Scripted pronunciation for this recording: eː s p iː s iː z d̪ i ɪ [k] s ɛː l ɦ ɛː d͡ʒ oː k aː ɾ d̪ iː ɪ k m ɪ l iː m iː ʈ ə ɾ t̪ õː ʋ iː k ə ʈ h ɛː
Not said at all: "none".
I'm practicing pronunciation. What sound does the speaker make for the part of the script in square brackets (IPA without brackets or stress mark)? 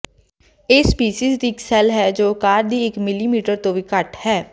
k